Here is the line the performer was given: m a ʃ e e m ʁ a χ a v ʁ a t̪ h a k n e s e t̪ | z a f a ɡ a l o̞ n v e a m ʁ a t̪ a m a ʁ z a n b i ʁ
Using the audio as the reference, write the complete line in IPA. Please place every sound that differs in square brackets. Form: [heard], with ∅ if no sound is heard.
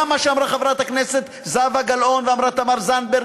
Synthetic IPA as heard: m a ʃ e [a] m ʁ a χ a v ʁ a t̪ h a k n e s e t̪ | z a [v] a ɡ a l o̞ n v e a m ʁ a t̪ a m a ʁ z a n b [e] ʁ